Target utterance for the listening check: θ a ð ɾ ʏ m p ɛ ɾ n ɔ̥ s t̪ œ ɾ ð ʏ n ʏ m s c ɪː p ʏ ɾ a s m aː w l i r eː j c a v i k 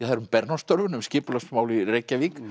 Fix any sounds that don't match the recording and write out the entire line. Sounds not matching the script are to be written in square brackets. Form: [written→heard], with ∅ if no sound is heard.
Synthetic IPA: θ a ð ɾ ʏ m p ɛ ɾ n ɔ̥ s t̪ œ ɾ [ð→v] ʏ n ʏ m s c ɪː p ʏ [ɾ→l] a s m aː w l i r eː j c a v i k